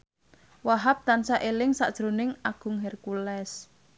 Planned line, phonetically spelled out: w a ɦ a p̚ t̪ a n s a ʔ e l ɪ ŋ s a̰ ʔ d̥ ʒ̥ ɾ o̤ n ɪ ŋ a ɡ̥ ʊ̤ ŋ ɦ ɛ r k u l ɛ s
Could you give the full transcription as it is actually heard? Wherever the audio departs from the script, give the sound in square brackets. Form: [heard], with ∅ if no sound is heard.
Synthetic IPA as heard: w a ɦ a p̚ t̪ a n s a ʔ e l ɪ ŋ s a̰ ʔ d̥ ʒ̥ ɾ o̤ n ɪ ŋ a ɡ̥ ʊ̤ ŋ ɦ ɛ r k u l ɛ s

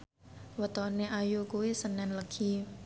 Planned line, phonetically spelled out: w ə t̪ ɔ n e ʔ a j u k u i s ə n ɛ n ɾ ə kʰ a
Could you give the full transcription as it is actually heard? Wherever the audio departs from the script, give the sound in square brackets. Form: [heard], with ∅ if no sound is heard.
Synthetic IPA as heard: w ə t̪ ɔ n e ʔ a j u k u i s ə n ɛ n [l] ə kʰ [i]

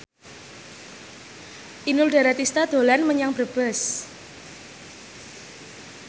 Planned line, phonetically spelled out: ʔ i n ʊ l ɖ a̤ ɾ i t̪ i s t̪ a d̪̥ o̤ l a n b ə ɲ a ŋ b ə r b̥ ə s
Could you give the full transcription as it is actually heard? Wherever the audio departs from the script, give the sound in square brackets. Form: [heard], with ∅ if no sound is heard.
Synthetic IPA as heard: ʔ i n ʊ l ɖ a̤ ɾ [a] t̪ i s t̪ a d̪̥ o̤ l a n [m] ə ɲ a ŋ b ə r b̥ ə s

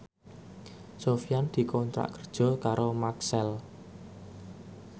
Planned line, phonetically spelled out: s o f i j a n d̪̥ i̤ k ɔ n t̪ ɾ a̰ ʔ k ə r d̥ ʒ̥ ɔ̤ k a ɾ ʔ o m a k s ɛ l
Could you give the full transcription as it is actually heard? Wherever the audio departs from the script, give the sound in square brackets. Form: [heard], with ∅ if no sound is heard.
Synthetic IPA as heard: s o f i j a n d̪̥ i̤ k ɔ n t̪ ɾ a̰ ʔ k ə r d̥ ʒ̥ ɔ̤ k a ɾ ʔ o m a k s ɛ l

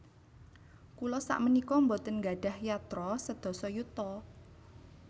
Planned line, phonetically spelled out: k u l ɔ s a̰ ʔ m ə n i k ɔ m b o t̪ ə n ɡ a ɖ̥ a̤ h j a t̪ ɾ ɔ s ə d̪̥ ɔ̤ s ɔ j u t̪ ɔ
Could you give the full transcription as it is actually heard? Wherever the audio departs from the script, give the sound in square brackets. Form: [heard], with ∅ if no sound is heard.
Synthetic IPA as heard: k u l ɔ s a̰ ʔ m ə n i k ɔ m b o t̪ ə n ɡ a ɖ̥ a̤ h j a t̪ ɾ ɔ s ə d̪̥ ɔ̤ s ɔ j u t̪ ɔ

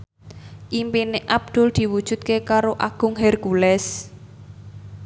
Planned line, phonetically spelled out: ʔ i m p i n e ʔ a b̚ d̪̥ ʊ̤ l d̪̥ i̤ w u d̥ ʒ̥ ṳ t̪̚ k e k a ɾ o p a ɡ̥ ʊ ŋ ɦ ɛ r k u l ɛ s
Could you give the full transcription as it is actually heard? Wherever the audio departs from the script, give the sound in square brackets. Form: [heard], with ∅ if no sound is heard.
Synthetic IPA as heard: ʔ i m p i n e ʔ a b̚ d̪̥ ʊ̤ l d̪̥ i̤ w u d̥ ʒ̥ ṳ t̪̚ k e k a ɾ o [ʔ] a ɡ̥ ʊ ŋ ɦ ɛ r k u l ɛ s

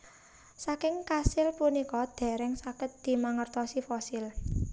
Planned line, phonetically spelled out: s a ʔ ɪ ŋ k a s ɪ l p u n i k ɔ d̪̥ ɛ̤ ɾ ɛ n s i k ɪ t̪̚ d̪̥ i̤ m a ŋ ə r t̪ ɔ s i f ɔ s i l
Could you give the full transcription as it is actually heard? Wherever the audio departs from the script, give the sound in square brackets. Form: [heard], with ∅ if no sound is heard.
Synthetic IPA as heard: s a [k] ɪ ŋ k a s ɪ l p u n i k ɔ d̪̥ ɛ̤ ɾ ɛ [ŋ] s [a] k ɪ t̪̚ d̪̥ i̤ m a ŋ ə r t̪ ɔ s i f ɔ s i l

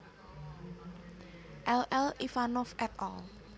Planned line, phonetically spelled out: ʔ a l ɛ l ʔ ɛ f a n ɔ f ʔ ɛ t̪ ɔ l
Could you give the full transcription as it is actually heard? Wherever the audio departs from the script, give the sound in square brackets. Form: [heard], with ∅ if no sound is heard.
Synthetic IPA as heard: ʔ [ɛ] l ɛ l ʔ [i] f a n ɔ f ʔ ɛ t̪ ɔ l

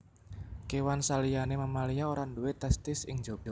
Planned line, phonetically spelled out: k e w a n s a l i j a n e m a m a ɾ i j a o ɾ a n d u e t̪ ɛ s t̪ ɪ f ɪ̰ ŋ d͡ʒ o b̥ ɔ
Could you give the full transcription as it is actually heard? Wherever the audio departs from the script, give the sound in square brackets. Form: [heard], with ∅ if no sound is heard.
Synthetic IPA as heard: k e w a n s a l i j a n e m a m a [l] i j a o ɾ a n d u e t̪ ɛ s t̪ ɪ [s] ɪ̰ ŋ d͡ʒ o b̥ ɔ

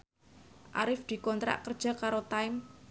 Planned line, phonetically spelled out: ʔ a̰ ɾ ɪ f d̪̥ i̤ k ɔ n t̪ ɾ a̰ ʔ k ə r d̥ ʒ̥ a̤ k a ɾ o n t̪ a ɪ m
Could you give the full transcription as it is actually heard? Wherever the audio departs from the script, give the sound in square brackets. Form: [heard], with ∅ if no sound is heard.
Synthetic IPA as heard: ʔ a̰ ɾ ɪ f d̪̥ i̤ k ɔ n t̪ ɾ a̰ ʔ k ə r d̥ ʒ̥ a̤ k a ɾ o [∅] t̪ a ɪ m

